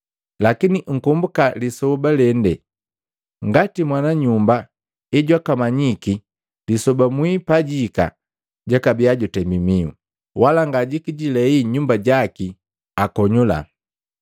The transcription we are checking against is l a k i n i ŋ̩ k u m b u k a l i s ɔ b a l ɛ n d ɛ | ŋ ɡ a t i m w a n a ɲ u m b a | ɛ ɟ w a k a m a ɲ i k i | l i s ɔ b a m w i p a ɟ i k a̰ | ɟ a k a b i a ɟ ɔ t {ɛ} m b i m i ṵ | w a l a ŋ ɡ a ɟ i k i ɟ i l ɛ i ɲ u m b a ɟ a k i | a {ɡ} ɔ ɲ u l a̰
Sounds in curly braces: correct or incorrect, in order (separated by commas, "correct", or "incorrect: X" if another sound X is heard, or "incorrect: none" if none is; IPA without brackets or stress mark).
correct, incorrect: k